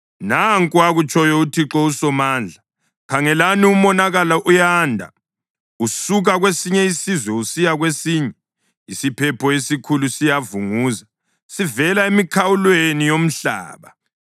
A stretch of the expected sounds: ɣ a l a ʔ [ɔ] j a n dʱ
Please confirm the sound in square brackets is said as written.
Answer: no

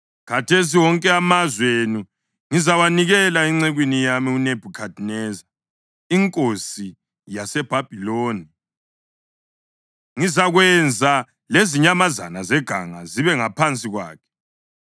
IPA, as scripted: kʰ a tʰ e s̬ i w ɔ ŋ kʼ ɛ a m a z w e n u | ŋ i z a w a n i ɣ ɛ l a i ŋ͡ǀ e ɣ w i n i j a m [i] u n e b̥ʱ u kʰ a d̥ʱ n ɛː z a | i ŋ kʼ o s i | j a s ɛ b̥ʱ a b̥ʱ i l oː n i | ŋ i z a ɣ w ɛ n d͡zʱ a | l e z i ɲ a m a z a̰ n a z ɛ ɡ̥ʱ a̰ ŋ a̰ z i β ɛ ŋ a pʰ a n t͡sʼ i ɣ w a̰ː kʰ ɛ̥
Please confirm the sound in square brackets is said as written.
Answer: yes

